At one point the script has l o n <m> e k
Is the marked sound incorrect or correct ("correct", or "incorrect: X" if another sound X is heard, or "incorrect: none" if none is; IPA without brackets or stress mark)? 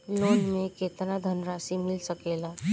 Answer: correct